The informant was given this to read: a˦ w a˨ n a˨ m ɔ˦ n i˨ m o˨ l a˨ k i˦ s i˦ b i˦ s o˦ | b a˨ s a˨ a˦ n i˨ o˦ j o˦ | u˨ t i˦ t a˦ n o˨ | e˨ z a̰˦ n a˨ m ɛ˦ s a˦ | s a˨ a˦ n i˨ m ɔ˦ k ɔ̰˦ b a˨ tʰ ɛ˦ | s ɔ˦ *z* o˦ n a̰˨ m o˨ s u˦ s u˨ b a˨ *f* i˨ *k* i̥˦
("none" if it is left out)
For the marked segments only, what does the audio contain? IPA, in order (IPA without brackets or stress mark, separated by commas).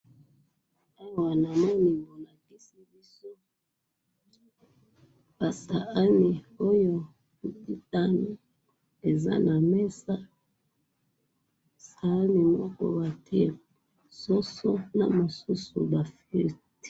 s, f, t